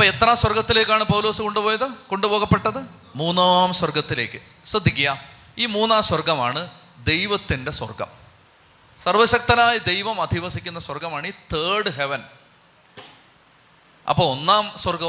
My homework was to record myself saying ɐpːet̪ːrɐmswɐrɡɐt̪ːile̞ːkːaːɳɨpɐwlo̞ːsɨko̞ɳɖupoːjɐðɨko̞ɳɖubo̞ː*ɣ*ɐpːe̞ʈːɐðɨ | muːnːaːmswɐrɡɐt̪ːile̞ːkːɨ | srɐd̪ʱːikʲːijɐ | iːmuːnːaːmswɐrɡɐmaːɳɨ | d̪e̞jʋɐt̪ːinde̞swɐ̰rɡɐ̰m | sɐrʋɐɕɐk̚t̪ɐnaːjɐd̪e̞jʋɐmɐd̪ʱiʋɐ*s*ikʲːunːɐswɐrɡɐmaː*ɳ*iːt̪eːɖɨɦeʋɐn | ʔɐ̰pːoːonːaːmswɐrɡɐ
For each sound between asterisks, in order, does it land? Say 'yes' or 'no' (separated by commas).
yes, yes, yes